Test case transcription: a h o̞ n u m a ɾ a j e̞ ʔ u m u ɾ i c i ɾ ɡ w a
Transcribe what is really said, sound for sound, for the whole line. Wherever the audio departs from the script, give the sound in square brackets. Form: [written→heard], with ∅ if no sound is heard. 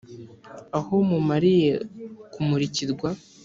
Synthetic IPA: a h o̞ [n→m] u m a ɾ [a→i] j e̞ [ʔ→k] u m u ɾ i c i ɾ ɡ w a